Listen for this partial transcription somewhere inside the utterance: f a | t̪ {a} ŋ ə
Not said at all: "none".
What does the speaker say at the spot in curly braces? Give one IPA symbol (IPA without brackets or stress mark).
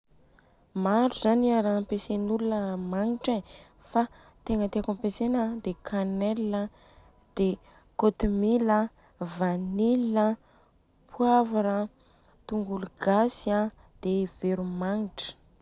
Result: e